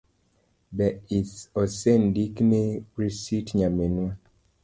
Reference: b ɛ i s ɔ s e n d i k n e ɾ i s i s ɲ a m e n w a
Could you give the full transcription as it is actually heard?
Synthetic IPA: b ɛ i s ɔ s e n d i k n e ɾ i s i t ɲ a m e n w a